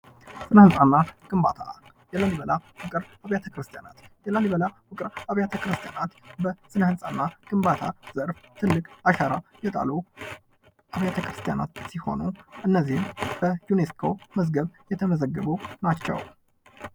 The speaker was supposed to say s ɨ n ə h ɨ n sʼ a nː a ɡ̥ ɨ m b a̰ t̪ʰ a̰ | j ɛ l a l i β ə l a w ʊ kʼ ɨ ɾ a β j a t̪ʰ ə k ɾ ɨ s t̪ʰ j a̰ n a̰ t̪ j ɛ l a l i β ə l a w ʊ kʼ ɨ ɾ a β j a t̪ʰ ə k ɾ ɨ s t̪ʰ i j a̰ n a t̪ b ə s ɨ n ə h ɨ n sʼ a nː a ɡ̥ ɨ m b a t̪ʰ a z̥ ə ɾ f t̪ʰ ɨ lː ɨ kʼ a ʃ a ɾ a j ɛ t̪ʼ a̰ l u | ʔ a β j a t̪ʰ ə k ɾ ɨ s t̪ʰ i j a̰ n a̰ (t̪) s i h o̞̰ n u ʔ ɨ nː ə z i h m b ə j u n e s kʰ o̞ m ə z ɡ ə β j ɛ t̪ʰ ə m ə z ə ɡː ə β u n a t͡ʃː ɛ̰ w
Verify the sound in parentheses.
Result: correct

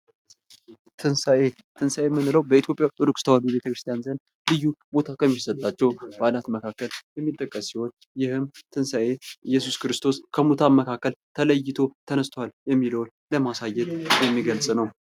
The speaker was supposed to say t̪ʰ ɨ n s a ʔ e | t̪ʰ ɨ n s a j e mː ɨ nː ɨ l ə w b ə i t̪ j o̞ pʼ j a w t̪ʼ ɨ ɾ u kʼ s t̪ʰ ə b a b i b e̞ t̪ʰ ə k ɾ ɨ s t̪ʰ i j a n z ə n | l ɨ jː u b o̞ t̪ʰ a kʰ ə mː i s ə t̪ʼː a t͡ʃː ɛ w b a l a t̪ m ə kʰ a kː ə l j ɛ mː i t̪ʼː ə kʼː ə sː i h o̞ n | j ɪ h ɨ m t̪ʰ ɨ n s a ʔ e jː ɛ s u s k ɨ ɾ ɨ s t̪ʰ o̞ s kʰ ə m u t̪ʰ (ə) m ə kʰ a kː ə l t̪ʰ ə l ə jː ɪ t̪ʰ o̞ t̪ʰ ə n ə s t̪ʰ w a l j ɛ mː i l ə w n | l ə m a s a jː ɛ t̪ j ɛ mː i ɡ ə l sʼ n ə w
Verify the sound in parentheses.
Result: incorrect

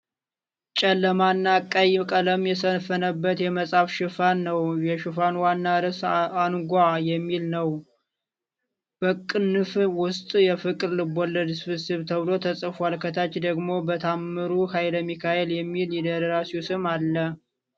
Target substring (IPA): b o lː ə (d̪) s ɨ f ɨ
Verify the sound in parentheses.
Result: correct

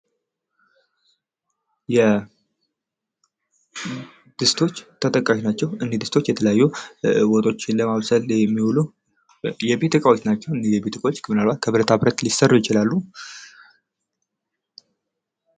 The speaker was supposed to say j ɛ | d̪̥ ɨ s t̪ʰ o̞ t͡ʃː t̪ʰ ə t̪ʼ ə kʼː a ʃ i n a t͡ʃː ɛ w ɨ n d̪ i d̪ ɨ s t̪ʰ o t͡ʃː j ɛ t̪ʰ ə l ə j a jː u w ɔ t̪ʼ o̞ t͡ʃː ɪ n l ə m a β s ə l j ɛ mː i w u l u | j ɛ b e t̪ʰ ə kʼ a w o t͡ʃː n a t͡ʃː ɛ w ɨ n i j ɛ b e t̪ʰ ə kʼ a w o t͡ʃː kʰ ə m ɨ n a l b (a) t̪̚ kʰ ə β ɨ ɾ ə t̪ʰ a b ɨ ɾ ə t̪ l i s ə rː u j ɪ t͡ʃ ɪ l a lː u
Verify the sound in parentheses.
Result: correct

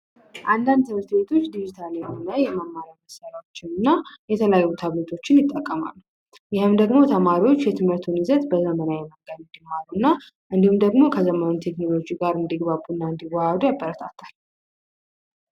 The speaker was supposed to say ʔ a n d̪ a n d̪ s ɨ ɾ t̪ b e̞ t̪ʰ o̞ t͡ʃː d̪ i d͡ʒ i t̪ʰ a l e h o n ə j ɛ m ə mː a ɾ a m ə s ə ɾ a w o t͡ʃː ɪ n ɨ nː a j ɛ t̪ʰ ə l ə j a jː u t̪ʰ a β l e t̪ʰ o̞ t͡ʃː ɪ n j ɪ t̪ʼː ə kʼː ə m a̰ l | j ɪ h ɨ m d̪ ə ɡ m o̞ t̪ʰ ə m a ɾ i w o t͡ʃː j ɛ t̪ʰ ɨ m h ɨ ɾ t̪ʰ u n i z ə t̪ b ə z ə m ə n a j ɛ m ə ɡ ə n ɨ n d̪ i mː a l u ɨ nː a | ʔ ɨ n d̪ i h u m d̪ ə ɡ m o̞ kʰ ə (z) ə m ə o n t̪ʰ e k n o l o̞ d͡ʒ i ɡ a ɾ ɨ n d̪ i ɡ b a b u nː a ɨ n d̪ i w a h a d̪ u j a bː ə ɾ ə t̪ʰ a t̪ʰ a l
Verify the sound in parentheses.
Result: correct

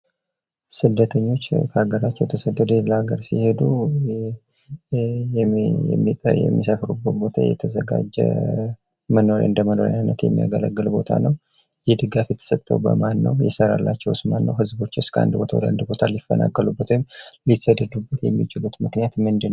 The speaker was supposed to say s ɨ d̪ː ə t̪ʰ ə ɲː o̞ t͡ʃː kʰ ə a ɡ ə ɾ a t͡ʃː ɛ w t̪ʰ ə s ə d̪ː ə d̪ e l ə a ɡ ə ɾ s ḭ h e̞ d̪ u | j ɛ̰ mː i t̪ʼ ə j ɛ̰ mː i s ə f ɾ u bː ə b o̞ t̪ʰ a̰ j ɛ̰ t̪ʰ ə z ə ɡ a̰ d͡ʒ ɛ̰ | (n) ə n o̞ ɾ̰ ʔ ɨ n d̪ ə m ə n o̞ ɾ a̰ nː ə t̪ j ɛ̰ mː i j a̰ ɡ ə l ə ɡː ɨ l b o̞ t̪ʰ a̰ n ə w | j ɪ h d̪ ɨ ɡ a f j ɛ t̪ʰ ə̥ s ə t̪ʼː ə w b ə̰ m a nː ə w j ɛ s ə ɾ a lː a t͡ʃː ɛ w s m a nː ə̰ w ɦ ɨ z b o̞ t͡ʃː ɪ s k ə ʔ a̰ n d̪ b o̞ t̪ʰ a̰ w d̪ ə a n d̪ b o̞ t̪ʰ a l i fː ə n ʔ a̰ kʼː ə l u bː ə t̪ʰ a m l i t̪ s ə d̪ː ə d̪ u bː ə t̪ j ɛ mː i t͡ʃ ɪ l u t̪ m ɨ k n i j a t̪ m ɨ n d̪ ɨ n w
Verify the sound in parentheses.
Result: incorrect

